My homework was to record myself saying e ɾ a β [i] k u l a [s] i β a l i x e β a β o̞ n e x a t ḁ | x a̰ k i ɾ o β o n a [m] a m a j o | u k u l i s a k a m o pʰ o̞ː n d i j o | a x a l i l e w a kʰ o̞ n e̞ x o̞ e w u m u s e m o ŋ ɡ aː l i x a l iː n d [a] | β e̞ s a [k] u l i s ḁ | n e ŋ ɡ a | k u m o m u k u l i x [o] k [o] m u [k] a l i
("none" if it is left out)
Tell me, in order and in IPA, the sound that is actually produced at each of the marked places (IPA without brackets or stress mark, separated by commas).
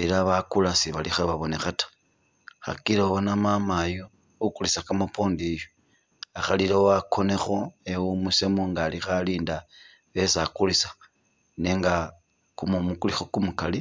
a, s, m, a, k, o, u, k